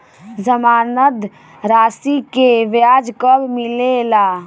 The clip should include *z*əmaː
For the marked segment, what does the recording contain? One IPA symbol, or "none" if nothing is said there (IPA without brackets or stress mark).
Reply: z